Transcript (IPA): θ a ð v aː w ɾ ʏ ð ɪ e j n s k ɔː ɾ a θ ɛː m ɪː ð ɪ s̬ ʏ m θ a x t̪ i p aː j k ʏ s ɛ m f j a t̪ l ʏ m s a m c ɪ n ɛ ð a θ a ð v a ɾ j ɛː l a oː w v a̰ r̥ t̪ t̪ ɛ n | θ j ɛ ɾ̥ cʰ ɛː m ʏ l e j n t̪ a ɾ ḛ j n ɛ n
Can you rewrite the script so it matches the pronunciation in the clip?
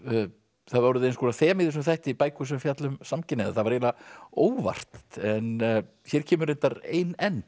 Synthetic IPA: θ a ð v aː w ɾ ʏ ð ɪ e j n s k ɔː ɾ a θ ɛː m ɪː ð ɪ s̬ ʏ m θ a h t̪ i p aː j k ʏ s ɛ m f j a t̪ l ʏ m s a m c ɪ n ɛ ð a θ a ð v a ɾ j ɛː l a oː w v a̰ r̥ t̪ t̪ ɛ n | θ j ɛ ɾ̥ cʰ ɛː m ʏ ɾ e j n t̪ a ɾ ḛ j n ɛ n